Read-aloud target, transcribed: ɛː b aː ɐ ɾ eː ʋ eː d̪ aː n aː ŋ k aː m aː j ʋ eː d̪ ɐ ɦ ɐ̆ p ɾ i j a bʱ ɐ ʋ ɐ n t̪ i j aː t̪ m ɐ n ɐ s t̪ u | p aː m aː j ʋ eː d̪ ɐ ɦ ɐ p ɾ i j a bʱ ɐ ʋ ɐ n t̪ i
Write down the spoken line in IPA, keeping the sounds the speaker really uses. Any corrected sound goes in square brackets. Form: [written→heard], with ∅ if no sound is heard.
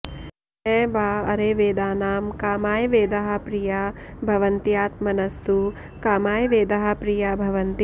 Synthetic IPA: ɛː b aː ɐ ɾ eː ʋ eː d̪ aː n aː [ŋ→m] k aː m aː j ʋ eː d̪ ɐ ɦ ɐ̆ p ɾ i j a bʱ ɐ ʋ ɐ n t̪ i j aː t̪ m ɐ n ɐ s t̪ u | [p→k] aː m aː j ʋ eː d̪ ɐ ɦ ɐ p ɾ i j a bʱ ɐ ʋ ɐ n t̪ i